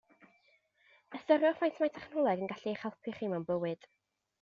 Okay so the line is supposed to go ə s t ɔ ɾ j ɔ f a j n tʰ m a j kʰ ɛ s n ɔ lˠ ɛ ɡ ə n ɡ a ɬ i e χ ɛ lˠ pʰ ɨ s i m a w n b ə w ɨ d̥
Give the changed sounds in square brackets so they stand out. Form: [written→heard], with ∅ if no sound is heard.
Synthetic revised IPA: ə s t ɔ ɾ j ɔ f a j n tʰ m a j [kʰ→tʰ] ɛ [s→χ] n ɔ lˠ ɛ ɡ ə n ɡ a ɬ i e χ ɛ lˠ pʰ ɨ [s→χ] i m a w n b ə w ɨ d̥